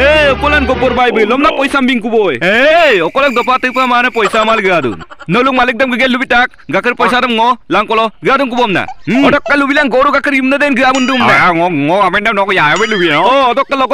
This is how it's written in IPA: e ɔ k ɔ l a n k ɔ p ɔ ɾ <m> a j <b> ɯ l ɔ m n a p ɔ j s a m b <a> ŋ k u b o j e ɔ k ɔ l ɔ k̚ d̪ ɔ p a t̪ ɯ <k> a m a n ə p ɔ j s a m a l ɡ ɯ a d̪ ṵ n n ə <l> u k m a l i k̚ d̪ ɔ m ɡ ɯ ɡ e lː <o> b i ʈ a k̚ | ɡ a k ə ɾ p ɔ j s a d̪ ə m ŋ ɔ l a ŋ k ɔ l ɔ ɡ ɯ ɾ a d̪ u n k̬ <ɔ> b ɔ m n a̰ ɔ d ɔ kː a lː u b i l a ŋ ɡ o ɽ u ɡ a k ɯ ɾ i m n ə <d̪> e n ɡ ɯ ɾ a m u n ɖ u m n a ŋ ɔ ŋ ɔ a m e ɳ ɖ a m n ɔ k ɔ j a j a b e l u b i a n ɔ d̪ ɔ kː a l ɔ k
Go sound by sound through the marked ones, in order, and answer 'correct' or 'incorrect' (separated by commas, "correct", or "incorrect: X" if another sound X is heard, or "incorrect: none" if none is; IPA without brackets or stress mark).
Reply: incorrect: b, correct, incorrect: i, incorrect: p, correct, incorrect: u, incorrect: u, correct